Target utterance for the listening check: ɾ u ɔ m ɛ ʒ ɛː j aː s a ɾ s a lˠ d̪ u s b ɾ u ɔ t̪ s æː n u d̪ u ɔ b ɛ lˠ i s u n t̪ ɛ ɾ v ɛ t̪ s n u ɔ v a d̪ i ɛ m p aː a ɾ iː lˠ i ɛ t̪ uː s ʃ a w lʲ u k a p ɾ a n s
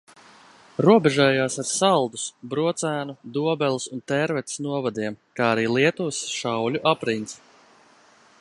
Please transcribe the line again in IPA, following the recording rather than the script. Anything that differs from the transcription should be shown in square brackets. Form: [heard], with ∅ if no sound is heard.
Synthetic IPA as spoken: ɾ u ɔ [b] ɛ ʒ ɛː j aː s a ɾ s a lˠ d̪ u s b ɾ u ɔ t̪ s æː n u d̪ u ɔ b ɛ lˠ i s u n t̪ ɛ ɾ v ɛ t̪ s n u ɔ v a d̪ i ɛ m [k] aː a ɾ iː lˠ i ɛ t̪ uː s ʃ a w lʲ u [ʔ] a p ɾ [i] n s